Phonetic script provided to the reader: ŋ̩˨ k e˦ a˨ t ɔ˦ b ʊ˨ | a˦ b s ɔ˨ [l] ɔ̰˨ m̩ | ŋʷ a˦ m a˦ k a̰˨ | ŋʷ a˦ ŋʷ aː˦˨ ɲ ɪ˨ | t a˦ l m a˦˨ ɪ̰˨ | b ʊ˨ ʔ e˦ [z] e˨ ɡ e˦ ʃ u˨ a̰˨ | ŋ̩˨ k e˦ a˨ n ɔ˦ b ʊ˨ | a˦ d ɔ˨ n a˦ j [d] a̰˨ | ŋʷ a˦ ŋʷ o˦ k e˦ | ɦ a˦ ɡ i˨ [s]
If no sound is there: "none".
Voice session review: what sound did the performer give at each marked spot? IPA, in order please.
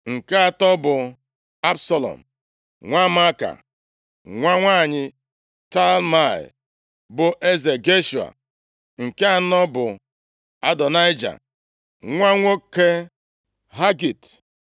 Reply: l, z, d͡ʒ, t

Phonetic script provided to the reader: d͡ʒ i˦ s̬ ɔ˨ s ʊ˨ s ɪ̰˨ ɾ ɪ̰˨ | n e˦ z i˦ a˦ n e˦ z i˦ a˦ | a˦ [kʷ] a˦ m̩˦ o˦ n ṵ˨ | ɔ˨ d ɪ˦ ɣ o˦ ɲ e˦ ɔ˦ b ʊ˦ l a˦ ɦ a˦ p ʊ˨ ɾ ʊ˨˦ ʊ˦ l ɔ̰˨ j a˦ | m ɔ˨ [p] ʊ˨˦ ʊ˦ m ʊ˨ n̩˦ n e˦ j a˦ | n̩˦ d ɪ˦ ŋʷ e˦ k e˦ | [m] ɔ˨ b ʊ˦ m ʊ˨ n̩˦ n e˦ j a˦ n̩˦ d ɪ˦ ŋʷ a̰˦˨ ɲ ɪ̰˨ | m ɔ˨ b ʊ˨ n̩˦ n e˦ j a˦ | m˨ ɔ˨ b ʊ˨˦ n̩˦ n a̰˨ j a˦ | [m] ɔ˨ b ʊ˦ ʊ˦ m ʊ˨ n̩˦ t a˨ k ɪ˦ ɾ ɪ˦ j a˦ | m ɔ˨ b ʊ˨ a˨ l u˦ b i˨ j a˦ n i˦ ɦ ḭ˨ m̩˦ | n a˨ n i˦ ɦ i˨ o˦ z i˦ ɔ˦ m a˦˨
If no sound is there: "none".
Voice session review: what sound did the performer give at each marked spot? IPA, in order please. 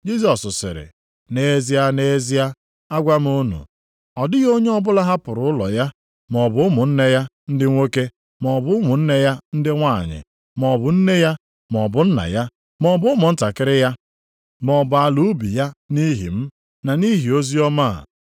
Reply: ɡʷ, b, m, m

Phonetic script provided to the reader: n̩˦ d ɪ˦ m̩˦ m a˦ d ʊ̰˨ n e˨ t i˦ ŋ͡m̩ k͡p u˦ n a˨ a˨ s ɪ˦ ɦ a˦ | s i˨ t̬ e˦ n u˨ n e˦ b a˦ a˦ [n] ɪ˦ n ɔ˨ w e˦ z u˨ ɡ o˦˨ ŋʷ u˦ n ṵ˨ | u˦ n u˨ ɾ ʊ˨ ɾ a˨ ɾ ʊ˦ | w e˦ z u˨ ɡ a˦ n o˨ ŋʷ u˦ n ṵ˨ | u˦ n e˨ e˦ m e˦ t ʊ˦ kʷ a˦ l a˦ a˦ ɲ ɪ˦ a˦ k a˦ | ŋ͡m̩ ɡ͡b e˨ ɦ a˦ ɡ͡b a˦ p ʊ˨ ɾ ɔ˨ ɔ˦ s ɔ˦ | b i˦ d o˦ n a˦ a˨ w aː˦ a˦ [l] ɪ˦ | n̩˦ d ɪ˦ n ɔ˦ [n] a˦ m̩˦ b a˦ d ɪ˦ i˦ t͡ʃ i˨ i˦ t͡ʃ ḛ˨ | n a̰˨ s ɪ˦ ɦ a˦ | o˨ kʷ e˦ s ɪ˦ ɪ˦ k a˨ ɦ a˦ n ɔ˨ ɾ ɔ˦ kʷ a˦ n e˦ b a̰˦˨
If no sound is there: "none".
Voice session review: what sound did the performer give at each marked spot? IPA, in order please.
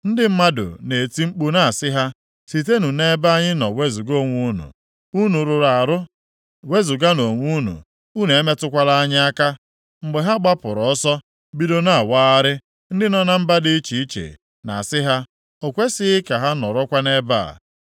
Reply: ɲ, ɾ, n

